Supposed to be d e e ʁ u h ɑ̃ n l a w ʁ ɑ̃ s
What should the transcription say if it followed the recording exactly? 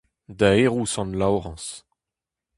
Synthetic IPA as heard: d a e ʁ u s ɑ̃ n l a w ʁ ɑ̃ s